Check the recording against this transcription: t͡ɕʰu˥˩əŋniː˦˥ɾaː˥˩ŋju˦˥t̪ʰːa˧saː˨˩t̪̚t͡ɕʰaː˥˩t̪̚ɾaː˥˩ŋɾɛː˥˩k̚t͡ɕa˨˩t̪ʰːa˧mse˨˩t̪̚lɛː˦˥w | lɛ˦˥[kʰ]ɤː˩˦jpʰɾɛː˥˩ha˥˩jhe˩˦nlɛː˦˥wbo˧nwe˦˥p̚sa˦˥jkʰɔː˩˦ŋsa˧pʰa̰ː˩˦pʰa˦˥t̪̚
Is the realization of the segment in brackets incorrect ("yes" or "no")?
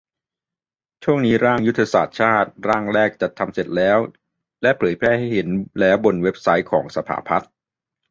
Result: yes